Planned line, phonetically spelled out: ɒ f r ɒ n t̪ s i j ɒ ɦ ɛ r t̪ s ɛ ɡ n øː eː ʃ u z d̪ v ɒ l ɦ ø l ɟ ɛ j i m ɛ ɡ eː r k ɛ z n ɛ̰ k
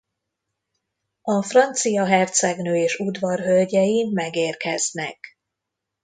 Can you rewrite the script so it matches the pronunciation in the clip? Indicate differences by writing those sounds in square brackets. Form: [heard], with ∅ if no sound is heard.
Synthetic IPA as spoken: ɒ f r ɒ n t̪ s i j ɒ ɦ ɛ r t̪ s ɛ ɡ n øː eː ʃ u [∅] d̪ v ɒ [r] ɦ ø l ɟ ɛ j i m ɛ ɡ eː r k ɛ z n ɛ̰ k